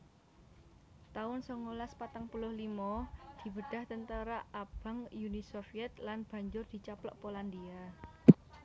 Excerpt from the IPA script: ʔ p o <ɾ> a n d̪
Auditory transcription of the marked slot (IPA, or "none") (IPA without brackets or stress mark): l